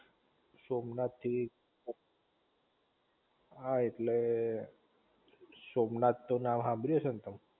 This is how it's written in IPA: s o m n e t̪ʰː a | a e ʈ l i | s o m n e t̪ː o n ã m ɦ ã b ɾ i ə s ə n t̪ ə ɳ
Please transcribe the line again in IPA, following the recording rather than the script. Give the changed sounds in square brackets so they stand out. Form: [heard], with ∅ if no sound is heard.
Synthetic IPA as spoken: s o m n [a] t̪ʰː [i] | a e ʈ l [e] | s o m n [a] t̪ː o n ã m ɦ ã b ɾ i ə s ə n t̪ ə [m]